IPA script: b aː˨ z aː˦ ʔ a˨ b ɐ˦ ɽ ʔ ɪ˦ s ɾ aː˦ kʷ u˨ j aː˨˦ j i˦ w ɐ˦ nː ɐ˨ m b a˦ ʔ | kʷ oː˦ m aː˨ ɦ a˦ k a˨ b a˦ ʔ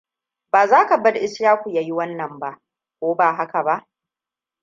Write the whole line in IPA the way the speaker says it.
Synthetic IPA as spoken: b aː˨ z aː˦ k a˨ b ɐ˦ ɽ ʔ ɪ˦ s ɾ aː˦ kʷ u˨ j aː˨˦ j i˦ w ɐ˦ nː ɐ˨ m b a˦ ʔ | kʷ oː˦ b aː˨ ɦ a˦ k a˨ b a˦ ʔ